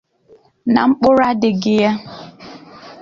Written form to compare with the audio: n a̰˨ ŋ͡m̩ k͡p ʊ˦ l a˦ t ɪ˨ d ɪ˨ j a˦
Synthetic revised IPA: n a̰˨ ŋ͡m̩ k͡p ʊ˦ ɾ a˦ d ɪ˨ ɡ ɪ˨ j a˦